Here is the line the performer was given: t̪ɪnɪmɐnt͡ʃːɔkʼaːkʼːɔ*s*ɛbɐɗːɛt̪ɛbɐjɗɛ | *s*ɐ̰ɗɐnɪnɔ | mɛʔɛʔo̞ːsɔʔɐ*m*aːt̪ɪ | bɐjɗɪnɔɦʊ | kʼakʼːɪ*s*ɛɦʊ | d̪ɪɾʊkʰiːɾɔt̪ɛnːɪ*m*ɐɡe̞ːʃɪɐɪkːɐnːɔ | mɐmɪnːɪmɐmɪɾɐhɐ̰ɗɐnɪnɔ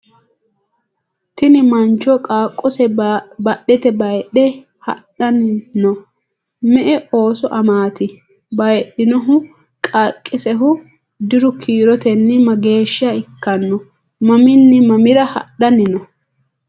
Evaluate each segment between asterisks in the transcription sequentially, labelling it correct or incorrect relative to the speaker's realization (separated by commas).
correct, incorrect, correct, correct, correct